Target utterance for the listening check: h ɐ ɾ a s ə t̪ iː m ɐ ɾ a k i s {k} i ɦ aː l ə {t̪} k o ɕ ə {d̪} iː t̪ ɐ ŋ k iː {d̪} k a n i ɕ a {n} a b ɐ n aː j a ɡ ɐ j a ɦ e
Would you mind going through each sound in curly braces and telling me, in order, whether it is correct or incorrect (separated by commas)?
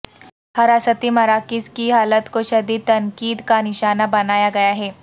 correct, correct, correct, correct, correct